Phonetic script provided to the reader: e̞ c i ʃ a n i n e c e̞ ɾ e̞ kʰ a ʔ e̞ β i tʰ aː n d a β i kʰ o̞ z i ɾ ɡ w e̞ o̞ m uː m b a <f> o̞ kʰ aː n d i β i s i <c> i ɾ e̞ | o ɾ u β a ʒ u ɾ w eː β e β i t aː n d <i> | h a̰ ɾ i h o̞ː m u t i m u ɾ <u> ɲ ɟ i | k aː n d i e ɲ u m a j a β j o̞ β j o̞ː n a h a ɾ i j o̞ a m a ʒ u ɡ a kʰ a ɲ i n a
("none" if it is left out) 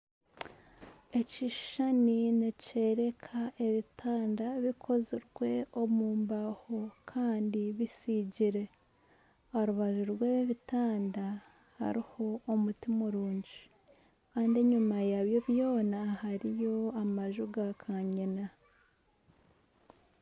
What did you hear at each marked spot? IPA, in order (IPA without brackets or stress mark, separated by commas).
h, ɟ, a, uː